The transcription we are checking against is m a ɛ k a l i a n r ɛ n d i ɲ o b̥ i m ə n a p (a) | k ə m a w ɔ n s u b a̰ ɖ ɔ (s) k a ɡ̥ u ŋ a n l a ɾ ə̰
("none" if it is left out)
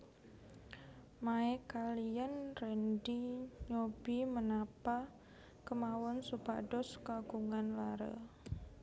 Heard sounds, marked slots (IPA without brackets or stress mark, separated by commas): a, s